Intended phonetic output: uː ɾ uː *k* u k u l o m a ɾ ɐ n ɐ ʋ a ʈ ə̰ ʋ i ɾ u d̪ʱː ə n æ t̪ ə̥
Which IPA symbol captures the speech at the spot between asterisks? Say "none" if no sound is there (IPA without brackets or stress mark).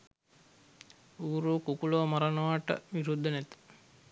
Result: k